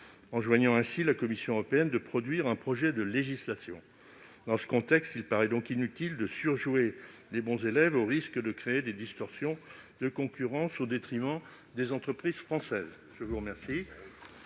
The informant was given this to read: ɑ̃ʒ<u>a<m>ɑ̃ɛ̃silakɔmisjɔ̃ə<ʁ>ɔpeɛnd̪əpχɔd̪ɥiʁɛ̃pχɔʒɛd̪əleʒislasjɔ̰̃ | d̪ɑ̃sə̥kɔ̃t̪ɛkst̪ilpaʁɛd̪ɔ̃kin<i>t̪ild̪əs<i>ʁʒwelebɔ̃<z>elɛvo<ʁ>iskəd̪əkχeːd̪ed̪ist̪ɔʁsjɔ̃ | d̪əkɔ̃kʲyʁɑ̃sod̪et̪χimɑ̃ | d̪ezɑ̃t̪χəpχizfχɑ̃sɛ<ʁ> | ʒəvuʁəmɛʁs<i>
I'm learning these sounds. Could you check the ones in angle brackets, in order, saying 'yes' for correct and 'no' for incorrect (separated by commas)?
no, no, yes, no, no, yes, yes, no, yes